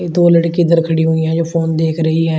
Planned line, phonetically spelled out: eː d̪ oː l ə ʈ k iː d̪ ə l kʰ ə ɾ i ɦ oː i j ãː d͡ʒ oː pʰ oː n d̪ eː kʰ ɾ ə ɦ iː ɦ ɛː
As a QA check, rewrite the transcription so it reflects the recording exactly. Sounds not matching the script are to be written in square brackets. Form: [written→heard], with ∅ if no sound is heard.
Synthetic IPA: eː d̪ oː l ə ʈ k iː d̪ ə [l→ɾ] kʰ ə [ɾ→ɽ] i ɦ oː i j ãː d͡ʒ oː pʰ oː n d̪ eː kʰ ɾ ə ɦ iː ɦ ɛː

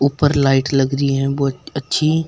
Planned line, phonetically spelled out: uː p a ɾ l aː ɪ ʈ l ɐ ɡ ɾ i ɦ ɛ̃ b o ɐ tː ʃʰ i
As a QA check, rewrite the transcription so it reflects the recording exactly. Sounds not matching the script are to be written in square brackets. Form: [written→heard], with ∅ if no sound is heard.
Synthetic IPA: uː p [a→ə] ɾ l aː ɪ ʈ l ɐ ɡ ɾ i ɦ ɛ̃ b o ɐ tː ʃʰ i

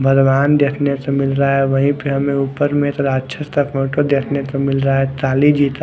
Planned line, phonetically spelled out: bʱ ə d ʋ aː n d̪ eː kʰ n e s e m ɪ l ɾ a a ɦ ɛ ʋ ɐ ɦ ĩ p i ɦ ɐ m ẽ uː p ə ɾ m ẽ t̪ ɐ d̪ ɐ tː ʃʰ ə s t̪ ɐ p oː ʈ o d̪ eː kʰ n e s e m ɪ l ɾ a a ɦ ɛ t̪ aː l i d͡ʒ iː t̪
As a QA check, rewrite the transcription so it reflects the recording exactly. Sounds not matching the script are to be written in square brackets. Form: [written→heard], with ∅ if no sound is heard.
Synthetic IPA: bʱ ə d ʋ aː n d̪ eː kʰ n e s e m ɪ l ɾ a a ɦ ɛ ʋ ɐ ɦ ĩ p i ɦ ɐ m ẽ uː p ə ɾ m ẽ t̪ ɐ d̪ [ɐ→a] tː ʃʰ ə s t̪ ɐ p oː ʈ o d̪ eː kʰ n e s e m ɪ l ɾ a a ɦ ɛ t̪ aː l i d͡ʒ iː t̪

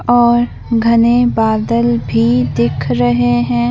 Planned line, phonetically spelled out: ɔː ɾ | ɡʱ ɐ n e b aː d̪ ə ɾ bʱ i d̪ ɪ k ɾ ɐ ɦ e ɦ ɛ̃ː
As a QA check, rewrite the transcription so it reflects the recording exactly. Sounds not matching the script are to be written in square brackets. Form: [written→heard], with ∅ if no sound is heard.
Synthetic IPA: ɔː ɾ | ɡʱ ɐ n e b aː d̪ ə [ɾ→l] bʱ i d̪ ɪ [k→kʰ] ɾ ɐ ɦ e ɦ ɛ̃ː

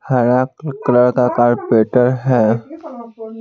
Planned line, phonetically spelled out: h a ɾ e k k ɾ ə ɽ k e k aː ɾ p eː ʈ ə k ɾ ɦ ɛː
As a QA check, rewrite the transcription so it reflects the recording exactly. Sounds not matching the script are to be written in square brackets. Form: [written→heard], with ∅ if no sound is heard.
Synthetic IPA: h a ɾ [e→a] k k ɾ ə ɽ k [e→a] k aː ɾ p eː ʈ ə [k→∅] ɾ ɦ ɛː

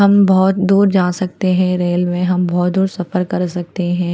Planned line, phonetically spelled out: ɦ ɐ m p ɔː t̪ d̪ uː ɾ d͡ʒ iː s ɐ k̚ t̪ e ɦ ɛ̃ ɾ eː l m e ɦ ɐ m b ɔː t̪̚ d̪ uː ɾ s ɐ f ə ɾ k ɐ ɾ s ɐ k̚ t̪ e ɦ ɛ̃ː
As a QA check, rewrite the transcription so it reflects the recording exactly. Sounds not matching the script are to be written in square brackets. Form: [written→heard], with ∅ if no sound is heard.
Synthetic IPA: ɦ ɐ m [p→b] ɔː t̪ d̪ uː ɾ d͡ʒ [iː→aː] s ɐ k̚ t̪ e ɦ ɛ̃ ɾ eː l m [e→ẽ] ɦ ɐ m b ɔː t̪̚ d̪ uː ɾ s ɐ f ə ɾ k ɐ ɾ s ɐ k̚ t̪ e ɦ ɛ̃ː

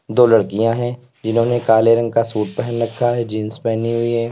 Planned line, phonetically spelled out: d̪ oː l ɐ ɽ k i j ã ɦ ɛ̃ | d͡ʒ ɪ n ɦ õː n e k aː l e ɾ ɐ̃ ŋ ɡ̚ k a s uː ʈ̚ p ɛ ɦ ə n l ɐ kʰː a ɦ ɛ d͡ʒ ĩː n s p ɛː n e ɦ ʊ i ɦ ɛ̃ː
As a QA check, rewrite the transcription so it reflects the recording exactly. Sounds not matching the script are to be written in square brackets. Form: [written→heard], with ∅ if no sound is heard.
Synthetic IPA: d̪ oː l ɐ ɽ k i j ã ɦ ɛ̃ | d͡ʒ ɪ n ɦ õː n e k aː l e ɾ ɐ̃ ŋ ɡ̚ k a s uː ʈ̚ p ɛ ɦ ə n [l→ɾ] ɐ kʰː a ɦ ɛ d͡ʒ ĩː n s p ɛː n [e→i] ɦ ʊ i ɦ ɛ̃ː

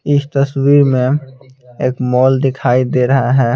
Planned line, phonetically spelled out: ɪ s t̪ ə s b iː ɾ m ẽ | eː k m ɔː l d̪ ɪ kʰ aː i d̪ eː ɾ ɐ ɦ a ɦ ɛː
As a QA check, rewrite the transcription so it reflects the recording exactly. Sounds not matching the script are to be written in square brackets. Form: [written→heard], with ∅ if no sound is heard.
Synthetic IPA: ɪ s t̪ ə s [b→w] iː ɾ m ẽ | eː k m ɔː l d̪ ɪ kʰ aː i d̪ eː ɾ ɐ ɦ a ɦ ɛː

